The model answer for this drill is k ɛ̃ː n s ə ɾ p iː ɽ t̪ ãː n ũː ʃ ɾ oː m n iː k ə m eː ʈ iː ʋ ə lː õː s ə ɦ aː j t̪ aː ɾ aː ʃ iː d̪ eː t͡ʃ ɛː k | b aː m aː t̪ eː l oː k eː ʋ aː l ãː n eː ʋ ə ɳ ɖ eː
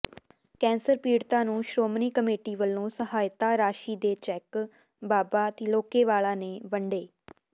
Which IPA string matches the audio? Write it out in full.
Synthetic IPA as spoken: k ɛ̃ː n s ə ɾ p iː ɽ t̪ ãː n ũː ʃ ɾ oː m n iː k ə m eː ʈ iː ʋ ə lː õː s ə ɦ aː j t̪ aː ɾ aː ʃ iː d̪ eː t͡ʃ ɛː k | b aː b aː t̪ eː l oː k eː ʋ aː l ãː n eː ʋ ə ɳ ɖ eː